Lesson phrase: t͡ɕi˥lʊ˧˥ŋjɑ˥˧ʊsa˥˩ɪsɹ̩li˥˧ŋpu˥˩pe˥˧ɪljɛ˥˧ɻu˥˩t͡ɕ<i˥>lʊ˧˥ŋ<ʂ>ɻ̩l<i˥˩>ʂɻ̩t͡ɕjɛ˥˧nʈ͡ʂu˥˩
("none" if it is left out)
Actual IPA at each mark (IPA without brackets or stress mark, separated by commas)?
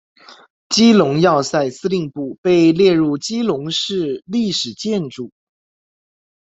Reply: i˥, ʂ, i˥˩